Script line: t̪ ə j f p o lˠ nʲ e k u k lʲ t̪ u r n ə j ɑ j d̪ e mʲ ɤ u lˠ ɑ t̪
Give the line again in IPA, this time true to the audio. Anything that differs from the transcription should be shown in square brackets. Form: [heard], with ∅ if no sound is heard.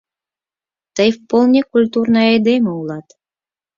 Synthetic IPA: t̪ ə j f p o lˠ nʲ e k u [∅] lʲ t̪ u r n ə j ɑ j d̪ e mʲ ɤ u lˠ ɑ t̪